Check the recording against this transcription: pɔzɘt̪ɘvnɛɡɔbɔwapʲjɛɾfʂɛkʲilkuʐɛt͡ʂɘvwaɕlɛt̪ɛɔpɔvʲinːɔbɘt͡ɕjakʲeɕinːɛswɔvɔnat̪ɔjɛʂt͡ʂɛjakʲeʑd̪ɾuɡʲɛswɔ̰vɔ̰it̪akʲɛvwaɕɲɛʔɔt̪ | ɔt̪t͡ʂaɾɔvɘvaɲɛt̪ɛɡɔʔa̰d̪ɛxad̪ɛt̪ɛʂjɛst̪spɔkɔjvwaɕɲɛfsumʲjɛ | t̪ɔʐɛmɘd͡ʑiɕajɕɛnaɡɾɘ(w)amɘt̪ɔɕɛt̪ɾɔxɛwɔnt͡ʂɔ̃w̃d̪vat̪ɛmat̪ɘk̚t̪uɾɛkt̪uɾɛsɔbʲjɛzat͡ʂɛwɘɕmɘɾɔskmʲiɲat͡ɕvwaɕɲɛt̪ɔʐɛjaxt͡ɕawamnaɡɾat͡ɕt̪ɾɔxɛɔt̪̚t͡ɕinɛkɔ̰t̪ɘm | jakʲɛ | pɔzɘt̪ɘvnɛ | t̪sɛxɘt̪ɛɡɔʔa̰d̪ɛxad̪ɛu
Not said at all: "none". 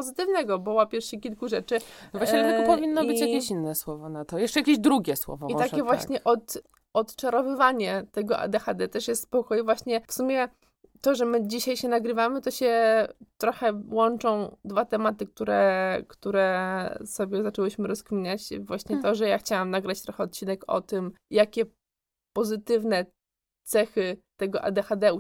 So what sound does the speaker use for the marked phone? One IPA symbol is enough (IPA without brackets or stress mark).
v